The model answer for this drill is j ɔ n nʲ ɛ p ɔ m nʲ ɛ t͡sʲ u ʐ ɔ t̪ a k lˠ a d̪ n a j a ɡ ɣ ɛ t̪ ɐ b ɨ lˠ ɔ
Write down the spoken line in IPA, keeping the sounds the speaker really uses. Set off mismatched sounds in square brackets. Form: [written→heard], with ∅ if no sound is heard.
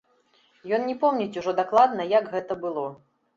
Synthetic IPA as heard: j ɔ n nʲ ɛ p ɔ m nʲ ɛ t͡sʲ u ʐ ɔ [t̪→d̪] a k lˠ a d̪ n [a→ɐ] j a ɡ ɣ ɛ t̪ ɐ b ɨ lˠ ɔ